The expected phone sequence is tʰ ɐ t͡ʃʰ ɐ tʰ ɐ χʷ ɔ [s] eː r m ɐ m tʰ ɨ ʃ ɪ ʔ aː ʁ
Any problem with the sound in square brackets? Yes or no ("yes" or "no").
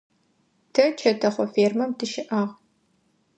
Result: yes